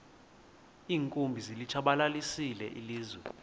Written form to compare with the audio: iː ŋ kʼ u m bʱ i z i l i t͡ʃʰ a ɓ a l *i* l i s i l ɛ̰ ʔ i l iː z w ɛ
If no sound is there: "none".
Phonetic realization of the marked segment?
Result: a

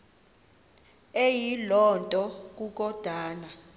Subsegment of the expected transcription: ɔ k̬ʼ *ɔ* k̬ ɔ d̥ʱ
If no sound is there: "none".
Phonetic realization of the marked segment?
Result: u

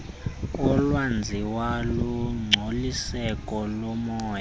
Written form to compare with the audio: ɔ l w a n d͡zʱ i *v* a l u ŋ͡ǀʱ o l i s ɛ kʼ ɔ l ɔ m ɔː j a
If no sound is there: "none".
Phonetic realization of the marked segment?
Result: w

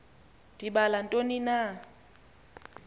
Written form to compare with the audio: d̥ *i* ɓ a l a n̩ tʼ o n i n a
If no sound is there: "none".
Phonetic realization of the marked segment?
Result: i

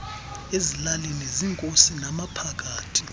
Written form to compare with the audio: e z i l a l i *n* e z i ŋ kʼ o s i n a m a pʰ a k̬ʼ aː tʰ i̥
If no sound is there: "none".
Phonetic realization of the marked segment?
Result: n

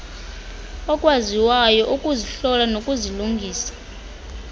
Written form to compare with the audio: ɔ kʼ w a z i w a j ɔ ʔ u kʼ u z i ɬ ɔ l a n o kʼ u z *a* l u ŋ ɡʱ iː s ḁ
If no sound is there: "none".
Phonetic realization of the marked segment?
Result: i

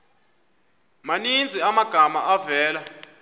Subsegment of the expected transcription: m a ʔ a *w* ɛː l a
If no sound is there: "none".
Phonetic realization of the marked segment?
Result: v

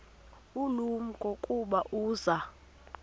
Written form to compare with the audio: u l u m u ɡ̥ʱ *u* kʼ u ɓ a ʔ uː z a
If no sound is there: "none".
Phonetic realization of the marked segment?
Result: o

